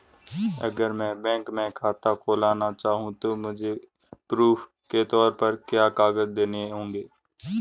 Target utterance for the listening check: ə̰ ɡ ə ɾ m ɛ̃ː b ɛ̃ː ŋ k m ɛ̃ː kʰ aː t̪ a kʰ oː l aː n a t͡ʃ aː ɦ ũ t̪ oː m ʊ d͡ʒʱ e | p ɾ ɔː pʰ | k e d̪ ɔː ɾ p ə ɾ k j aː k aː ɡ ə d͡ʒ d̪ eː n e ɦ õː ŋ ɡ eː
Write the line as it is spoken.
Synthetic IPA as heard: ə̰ ɡ ə ɾ m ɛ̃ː b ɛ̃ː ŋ k m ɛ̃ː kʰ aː t̪ a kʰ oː l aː n a t͡ʃ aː ɦ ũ t̪ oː m ʊ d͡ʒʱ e | p ɾ uː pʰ | k e t̪ ɔː ɾ p ə ɾ k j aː k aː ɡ ə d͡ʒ d̪ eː n e ɦ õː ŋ ɡ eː

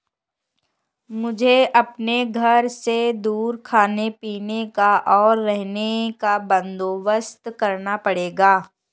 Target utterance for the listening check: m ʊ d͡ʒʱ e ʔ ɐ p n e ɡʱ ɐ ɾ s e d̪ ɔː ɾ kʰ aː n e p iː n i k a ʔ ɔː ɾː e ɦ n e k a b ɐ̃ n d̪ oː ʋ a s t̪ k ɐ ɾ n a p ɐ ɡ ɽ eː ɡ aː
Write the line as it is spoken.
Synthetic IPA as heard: m ʊ d͡ʒʱ e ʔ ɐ p n e ɡʱ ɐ ɾ s e d̪ uː ɾ kʰ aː n e p iː n e k a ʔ ɔː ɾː ɛ ɦ n e k a b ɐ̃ n d̪ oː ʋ ə s t̪ k ɐ ɾ n a p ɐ ɽ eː ɡ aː

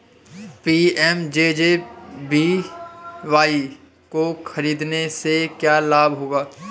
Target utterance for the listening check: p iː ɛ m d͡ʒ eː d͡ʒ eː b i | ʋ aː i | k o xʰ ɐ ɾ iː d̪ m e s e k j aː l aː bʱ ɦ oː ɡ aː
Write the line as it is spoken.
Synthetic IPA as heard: p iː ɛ m d͡ʒ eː d͡ʒ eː b i | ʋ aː i | k o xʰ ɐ ɾ iː d̪ n e s e k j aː l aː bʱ ɦ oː ɡ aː

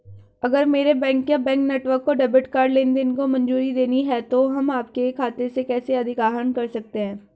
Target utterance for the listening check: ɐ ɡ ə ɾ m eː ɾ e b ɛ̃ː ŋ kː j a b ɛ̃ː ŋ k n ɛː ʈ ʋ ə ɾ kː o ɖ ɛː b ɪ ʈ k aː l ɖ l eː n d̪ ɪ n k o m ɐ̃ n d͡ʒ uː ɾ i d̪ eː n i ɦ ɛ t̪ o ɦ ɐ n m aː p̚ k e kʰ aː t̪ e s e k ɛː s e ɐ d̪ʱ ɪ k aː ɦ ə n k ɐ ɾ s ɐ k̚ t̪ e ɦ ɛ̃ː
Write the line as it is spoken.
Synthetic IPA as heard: ɐ ɡ ə ɾ m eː ɾ e b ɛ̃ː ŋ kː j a b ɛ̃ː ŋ k n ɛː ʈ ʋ ə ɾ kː o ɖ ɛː b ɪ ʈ k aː ɾ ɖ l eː n d̪ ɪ n k o m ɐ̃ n d͡ʒ uː ɾ i d̪ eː n i ɦ ɛ t̪ o ɦ ɐ m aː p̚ k e kʰ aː t̪ e s e k ɛː s e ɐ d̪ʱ ɪ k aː ɦ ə n k ɐ ɾ s ɐ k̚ t̪ e ɦ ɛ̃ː

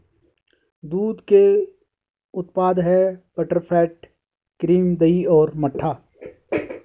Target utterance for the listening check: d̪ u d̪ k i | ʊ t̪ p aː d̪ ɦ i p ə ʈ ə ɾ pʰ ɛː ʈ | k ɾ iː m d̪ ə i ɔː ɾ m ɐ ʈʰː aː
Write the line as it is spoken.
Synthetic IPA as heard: d̪ uː d̪ k e | ʊ t̪ p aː d̪ ɦ ɛ p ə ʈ ə ɾ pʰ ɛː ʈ | k ɾ iː m d̪ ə i ɔː ɾ m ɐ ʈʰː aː

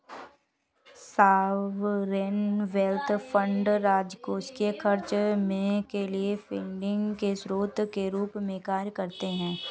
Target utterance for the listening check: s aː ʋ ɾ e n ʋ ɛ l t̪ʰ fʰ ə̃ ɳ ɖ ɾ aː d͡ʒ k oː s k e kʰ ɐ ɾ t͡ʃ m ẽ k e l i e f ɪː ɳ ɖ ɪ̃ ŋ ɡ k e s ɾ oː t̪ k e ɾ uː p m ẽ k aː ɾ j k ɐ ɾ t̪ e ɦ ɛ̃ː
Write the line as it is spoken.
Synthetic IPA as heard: s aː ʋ ɾ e n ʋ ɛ l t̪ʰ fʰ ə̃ ɳ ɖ ɾ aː d͡ʒ k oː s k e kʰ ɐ ɾ t͡ʃ m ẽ k e l i e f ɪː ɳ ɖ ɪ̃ ŋ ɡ k e s ɾ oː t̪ k e ɾ uː p m ẽ k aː ɾ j k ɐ ɾ t̪ e ɦ ɛ̃ː

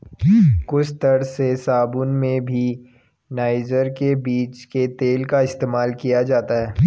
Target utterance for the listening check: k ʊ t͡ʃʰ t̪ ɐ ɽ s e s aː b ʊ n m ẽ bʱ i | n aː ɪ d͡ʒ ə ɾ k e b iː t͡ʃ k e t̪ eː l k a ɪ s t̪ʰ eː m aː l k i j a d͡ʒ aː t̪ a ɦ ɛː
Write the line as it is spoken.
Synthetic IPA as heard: k ʊ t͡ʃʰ t̪ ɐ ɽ s e s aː b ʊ n m ẽ bʱ i | n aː ɪ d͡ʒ ə ɾ k e b iː t͡ʃ k e t̪ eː l k a ɪ s t̪ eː m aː l k i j a d͡ʒ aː t̪ a ɦ ɛː

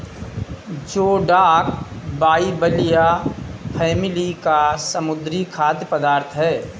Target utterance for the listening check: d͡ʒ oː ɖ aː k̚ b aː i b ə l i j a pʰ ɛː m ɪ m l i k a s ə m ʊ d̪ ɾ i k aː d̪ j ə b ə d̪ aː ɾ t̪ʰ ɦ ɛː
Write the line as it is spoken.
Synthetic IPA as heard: d͡ʒ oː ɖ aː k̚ b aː i b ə l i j a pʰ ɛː m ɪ l i k a s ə m ʊ d̪ ɾ i kʰ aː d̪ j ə p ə d̪ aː ɾ t̪ʰ ɦ ɛː

